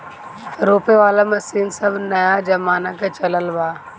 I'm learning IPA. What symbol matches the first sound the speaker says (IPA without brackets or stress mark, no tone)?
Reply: ɾ